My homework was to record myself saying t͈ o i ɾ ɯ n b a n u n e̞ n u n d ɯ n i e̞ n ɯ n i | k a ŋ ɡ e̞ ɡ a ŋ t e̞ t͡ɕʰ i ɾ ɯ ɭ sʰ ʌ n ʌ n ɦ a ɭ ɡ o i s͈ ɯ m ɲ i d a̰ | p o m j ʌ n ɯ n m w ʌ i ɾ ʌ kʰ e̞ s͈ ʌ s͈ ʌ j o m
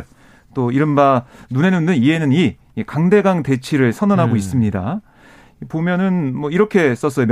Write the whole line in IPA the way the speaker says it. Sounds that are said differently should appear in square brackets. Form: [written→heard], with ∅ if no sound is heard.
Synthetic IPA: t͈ o i ɾ ɯ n b a n u n e̞ n u n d ɯ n i e̞ n ɯ n i | k a ŋ [ɡ→d] e̞ ɡ a ŋ t e̞ t͡ɕʰ i ɾ ɯ ɭ sʰ ʌ n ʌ n ɦ a [ɭ→∅] ɡ o i s͈ ɯ m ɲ i d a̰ | p o m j ʌ n ɯ n m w ʌ i ɾ ʌ kʰ e̞ s͈ ʌ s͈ ʌ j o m